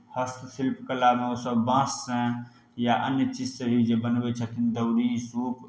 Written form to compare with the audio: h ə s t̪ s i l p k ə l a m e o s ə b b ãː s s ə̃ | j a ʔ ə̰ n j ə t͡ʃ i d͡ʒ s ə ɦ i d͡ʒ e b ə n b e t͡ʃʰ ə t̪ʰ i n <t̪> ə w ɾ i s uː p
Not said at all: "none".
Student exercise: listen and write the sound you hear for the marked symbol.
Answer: d̪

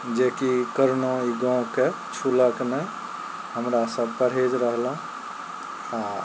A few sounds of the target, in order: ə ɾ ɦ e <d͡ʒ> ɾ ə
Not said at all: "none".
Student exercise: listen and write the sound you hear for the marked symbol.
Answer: d͡ʒ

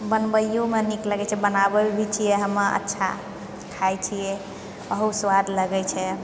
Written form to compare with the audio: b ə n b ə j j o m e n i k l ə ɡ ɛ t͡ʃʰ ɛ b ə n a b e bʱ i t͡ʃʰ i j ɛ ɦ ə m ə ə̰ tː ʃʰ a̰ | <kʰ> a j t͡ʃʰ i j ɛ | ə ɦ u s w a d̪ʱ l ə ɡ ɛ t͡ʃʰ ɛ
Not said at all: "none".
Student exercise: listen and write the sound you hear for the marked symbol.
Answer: kʰ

